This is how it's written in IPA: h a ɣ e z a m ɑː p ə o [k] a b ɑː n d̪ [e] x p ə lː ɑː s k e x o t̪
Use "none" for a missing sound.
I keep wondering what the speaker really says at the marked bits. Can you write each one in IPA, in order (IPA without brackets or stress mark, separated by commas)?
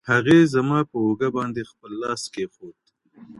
ɡ, e